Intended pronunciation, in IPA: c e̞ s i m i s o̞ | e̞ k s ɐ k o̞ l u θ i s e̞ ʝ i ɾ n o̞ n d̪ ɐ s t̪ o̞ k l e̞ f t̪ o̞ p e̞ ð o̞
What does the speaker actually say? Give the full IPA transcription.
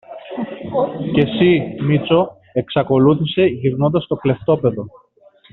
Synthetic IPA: c e̞ s i m i t͡s o̞ | e̞ k s ɐ k o̞ l u θ i s e̞ ʝ i ɾ n o̞ n d̪ ɐ s t̪ o̞ k l e̞ f t̪ o̞ p e̞ ð o̞

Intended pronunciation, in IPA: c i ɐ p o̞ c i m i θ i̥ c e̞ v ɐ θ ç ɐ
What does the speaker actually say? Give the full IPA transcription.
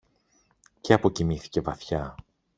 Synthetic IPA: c e ɐ p o̞ c i m i θ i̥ c e̞ v ɐ θ ç ɐ

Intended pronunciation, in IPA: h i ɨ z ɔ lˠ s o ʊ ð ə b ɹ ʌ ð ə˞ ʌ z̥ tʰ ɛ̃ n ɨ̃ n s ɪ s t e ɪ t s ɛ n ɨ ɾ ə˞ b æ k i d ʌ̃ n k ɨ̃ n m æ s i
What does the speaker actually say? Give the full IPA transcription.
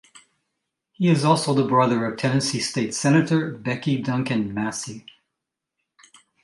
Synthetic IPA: h i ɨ z ɔ lˠ s o ʊ ð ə b ɹ ʌ ð ə˞ ʌ v̥ tʰ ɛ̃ n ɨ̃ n s i s t e ɪ t s ɛ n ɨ ɾ ə˞ b ɛ k i d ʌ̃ ŋ k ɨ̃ n m æ s i

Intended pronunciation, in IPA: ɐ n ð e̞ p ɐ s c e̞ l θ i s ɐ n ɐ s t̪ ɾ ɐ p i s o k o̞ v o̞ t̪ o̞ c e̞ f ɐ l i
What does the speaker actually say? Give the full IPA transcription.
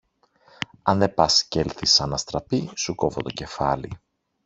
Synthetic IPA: ɐ n ð e̞ p ɐ s c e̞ l θ i s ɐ n ɐ s t̪ ɾ ɐ p i s u k o̞ v o̞ t̪ o̞ c e̞ f ɐ l i

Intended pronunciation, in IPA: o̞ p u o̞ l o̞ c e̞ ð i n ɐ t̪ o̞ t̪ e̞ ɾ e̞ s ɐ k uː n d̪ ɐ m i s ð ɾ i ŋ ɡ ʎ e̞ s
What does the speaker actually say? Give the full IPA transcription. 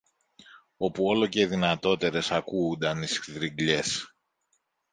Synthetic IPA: o̞ p u o̞ l o̞ c e̞ ð i n ɐ t̪ o̞ t̪ e̞ ɾ e̞ s ɐ k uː n d̪ ɐ n i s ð ɾ i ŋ ɡ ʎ e̞ s

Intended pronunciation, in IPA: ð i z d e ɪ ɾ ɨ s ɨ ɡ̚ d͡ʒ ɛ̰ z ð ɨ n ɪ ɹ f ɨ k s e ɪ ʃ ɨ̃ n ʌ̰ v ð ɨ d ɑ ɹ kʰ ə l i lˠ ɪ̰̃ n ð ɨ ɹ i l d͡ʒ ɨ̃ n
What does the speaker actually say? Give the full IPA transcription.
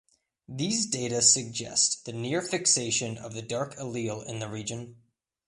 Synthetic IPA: ð i z d e ɪ ɾ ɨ s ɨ ɡ̚ d͡ʒ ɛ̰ s ð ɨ n ɪ ɹ f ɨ k s e ɪ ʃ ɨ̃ n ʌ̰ v ð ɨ d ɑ ɹ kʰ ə l i lˠ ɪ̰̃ n ð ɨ ɹ i d͡ʒ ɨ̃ n

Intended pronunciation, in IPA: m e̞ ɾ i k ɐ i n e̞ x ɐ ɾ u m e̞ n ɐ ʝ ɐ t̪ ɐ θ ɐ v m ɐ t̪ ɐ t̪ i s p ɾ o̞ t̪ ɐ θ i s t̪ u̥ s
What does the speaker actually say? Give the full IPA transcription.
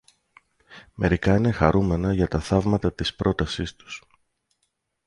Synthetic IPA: m e̞ ɾ i k ɐ i n e̞ x ɐ ɾ u m e̞ n ɐ ʝ ɐ t̪ ɐ θ ɐ v m ɐ t̪ ɐ t̪ i s p ɾ o̞ t̪ ɐ s i s t̪ u̥ s

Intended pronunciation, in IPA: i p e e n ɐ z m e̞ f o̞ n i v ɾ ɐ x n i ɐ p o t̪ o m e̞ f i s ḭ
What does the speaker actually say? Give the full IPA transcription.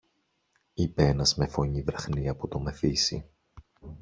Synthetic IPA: i p e e n ɐ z m e̞ f o̞ ɲ i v ɾ ɐ x n i ɐ p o t̪ o m e̞ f i s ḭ

